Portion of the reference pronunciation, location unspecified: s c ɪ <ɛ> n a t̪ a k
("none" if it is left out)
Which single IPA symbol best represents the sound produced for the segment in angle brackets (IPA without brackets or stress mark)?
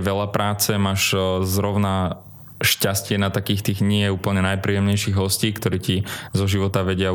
ɛ